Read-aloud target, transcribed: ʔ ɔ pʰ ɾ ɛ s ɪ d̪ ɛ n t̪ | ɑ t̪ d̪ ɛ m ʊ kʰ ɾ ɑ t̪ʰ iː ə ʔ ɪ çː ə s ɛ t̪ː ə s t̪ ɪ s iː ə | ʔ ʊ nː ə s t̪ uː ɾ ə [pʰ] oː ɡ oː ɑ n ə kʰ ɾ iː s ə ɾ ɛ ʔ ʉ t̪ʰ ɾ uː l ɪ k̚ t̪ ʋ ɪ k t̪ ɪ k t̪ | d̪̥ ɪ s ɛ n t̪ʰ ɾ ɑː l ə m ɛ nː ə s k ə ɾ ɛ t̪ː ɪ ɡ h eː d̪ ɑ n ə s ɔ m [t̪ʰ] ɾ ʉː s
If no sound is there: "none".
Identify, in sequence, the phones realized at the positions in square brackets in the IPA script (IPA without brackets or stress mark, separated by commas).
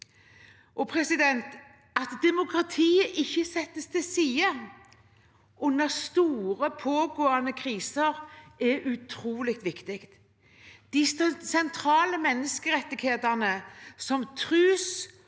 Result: pʰ, t̪ʰ